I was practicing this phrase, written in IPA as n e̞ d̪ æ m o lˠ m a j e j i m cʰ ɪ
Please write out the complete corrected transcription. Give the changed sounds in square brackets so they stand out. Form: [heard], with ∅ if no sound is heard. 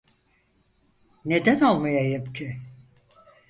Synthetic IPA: n e̞ d̪ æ [n] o lˠ m a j [a] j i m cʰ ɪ